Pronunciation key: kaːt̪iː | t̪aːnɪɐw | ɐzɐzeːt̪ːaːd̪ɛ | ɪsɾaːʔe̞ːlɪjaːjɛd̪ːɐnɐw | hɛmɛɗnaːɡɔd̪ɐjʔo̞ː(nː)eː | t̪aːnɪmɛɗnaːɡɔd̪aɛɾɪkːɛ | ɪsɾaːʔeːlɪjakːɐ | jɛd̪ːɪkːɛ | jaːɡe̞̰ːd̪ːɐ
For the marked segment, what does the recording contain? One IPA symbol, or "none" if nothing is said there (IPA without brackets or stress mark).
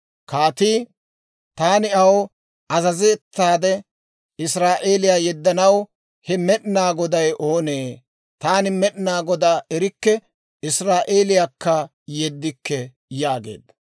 n